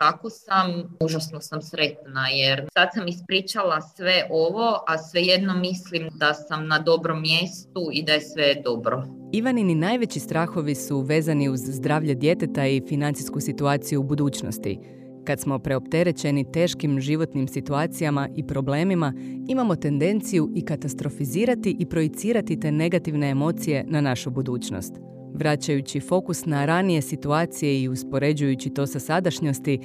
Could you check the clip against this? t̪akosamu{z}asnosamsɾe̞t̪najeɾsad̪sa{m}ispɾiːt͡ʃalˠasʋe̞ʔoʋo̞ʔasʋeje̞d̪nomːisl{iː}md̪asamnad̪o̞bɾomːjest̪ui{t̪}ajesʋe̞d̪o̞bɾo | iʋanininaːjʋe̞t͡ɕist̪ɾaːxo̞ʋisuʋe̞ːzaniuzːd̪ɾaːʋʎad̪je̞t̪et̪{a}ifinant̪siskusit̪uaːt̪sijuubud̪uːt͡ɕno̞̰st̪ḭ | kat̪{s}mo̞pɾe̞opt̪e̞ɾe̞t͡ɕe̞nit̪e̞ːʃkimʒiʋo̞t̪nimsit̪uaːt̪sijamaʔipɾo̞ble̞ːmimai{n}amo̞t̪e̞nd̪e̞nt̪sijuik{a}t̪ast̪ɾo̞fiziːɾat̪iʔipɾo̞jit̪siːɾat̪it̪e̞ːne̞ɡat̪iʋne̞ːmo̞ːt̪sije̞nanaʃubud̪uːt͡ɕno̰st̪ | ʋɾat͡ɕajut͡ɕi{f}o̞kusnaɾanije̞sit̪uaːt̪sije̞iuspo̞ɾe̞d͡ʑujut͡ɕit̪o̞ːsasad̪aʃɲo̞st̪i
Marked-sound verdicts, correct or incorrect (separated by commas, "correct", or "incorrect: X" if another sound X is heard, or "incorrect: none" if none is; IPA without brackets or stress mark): incorrect: ʒ, correct, incorrect: i, incorrect: d̪, correct, correct, incorrect: m, correct, correct